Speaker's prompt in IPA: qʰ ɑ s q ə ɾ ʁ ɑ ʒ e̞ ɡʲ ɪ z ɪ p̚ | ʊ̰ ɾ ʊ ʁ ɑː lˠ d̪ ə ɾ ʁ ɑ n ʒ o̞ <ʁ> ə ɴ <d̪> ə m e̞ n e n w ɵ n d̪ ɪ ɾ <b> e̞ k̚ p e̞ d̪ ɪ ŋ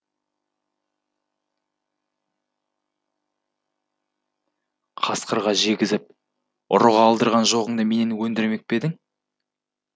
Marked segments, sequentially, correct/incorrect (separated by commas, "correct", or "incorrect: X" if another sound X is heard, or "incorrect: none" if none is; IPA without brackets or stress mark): correct, correct, incorrect: m